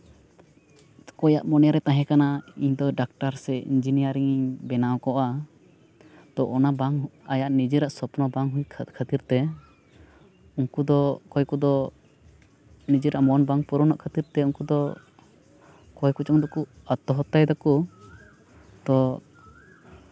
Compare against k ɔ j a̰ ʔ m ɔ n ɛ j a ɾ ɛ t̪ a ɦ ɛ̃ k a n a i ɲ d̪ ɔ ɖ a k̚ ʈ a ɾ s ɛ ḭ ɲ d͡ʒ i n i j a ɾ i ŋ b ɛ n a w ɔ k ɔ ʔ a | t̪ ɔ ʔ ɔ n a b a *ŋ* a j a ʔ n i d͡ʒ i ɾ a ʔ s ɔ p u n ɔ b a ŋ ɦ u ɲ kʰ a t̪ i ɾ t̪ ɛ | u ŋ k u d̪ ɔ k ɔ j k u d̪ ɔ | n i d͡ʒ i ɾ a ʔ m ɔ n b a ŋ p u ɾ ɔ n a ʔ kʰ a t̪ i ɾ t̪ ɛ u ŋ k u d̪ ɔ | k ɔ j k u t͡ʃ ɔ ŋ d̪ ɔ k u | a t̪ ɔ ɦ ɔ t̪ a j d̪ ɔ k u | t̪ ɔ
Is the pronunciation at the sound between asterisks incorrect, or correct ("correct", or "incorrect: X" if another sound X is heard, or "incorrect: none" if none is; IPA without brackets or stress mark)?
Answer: correct